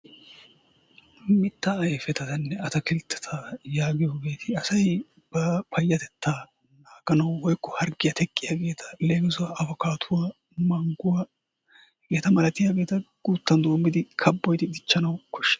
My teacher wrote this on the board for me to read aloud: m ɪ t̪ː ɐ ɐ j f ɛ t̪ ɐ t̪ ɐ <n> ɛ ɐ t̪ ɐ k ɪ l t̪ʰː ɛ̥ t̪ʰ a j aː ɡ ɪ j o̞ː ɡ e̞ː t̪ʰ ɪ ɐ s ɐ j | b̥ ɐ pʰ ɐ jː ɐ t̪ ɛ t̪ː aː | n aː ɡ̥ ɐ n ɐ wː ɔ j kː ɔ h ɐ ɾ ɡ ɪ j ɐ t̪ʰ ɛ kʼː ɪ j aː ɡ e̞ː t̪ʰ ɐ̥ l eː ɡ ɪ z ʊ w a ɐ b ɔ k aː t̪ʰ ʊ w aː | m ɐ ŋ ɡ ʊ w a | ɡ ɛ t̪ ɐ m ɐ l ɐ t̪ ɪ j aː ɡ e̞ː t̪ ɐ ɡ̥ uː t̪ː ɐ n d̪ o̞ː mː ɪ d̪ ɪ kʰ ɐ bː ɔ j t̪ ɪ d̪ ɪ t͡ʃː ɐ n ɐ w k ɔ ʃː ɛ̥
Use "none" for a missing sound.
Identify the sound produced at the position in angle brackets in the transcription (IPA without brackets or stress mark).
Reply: nː